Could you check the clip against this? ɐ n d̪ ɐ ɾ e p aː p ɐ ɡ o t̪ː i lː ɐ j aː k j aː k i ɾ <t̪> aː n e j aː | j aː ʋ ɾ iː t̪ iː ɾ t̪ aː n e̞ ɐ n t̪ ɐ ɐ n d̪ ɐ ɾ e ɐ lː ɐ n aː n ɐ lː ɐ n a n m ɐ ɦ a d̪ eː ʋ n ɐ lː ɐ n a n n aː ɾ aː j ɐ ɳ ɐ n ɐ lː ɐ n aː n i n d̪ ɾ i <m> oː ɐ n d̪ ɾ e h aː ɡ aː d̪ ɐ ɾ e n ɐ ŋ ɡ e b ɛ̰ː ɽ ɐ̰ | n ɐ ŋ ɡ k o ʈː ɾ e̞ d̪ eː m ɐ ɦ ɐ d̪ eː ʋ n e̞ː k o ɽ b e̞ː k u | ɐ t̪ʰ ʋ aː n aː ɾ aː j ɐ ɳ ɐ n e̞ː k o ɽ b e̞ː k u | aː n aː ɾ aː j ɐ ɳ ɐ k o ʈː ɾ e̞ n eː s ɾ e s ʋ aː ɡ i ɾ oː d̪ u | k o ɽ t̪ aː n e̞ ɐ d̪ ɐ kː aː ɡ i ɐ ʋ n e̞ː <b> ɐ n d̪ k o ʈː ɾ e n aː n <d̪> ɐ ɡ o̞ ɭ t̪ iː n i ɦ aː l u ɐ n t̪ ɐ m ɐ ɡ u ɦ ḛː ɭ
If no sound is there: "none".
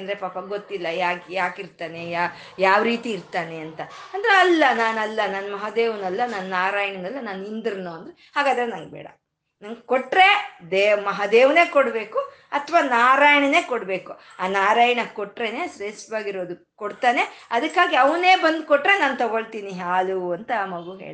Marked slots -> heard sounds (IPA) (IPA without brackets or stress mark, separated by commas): t̪, n, b, t̪